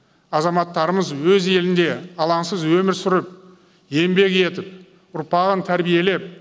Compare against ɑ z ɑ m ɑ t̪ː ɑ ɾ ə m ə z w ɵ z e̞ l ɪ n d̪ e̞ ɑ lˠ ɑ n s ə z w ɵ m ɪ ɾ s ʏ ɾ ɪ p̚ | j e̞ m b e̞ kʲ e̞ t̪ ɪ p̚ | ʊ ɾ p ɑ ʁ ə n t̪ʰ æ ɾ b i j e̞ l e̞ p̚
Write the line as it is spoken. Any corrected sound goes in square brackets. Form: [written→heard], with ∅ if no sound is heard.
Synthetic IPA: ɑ z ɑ m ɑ t̪ː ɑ ɾ ə m ə z w ɵ z e̞ l ɪ n d̪ e̞ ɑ lˠ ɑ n s ə z w ɵ m ɪ ɾ s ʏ ɾ ɪ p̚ | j e̞ m b e̞ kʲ e̞ t̪ ɪ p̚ | ʊ ɾ p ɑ ʁ ə n t̪ʰ æ ɾ b i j e̞ l e̞ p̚